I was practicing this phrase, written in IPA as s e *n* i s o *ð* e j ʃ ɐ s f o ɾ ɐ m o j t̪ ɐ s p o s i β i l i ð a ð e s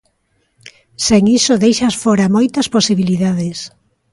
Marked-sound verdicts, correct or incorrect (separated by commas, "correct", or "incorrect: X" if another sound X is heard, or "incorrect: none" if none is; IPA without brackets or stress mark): incorrect: ŋ, correct